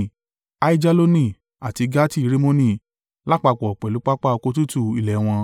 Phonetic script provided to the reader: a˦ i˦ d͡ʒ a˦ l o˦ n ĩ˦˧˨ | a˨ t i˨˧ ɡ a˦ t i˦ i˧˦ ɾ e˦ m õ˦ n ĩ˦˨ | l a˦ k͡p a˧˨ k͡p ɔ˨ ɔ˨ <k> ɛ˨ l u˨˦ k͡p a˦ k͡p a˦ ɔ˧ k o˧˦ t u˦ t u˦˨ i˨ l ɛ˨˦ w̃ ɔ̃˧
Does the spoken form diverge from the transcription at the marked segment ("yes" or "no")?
yes